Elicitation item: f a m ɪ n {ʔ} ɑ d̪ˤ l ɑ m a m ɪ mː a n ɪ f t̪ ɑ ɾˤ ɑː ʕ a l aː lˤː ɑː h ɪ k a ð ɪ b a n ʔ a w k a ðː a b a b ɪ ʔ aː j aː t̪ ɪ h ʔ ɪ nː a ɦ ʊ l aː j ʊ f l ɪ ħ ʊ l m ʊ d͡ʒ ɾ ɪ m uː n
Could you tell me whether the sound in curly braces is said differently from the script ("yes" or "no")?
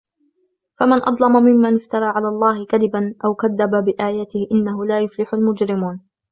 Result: no